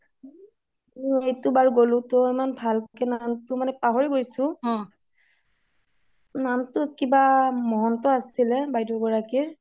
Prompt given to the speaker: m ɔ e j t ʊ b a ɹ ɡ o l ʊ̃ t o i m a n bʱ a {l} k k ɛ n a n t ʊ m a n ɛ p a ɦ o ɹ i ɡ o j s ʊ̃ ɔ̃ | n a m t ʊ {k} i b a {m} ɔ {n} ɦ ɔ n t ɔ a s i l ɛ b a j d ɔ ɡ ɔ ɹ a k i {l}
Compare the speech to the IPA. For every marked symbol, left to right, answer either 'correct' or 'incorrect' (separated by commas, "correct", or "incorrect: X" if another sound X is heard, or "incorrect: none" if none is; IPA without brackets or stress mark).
correct, correct, correct, incorrect: none, incorrect: ɹ